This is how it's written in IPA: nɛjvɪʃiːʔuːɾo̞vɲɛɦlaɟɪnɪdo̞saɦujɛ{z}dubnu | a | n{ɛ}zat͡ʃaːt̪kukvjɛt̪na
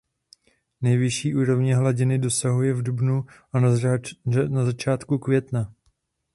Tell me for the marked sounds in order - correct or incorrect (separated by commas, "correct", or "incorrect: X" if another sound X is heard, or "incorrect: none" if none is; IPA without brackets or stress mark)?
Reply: incorrect: v, incorrect: a